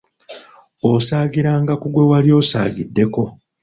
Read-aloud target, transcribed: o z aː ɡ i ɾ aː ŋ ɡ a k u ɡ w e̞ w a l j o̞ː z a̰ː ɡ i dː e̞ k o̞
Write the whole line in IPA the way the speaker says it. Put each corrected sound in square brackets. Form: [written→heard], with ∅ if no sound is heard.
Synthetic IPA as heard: o [z→s] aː ɡ i ɾ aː ŋ ɡ a k u ɡ w e̞ w a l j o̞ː [z→s] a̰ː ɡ i dː e̞ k o̞